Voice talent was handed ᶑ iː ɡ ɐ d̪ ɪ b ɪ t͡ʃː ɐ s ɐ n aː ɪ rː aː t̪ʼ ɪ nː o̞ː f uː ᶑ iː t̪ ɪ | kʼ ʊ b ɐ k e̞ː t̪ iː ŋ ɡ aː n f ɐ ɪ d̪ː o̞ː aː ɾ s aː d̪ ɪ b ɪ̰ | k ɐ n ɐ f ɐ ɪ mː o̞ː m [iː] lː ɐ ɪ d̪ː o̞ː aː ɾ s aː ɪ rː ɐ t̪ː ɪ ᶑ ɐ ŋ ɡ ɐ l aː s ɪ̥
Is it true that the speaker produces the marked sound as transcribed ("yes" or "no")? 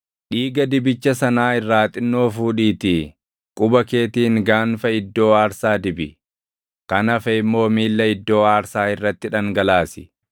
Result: yes